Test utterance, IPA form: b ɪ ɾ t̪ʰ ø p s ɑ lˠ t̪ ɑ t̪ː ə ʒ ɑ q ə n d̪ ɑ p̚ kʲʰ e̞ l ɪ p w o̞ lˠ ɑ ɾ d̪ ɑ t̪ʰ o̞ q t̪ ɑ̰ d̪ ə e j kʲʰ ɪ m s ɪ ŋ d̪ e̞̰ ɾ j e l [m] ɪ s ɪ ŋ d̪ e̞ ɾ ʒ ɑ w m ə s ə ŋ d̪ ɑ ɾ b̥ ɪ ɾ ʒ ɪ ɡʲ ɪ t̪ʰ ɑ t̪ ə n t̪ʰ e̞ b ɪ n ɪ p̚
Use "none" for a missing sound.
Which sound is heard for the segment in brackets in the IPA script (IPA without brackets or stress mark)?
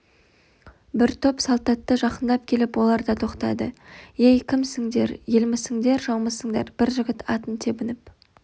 m